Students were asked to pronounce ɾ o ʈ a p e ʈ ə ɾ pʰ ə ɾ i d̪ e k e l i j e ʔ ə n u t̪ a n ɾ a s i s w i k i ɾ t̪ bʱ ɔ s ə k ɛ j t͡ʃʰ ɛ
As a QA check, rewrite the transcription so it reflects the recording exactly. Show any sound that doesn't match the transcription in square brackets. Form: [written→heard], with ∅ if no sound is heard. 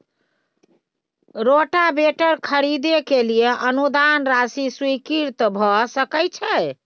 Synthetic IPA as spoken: ɾ o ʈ a [p→b] e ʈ ə ɾ [pʰ→kʰ] ə ɾ i d̪ e k e l i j e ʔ ə n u [t̪→d̪] a n ɾ a s i s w i k i ɾ t̪ bʱ ɔ s ə k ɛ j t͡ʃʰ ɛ